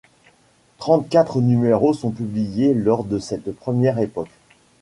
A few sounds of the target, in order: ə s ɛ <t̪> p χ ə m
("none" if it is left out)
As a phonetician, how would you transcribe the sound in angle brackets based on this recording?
t̪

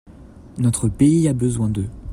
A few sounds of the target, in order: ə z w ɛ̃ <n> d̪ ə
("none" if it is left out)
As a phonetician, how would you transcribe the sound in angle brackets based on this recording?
none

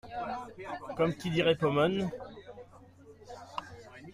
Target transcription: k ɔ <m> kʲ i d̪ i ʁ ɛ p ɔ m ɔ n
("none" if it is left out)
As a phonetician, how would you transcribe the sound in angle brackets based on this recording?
m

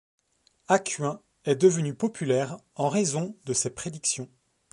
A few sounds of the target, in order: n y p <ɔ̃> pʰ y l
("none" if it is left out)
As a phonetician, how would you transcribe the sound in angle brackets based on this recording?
ɔ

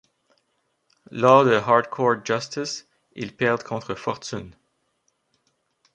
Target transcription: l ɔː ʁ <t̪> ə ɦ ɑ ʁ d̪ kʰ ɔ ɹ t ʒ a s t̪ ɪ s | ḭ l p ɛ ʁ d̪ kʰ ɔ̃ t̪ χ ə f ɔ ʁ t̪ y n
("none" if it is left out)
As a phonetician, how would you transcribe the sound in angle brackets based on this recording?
d̪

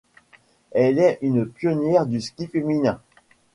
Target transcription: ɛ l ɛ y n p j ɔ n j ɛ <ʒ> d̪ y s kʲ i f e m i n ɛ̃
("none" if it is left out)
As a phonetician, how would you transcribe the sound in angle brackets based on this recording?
ʁ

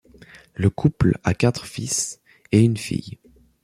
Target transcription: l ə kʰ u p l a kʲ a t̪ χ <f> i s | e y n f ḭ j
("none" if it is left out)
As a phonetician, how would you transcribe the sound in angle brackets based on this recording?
f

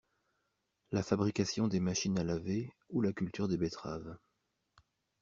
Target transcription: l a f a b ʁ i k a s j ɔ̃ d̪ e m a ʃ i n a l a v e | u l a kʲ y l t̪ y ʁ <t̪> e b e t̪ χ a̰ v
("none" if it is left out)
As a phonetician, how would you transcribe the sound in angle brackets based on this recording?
d̪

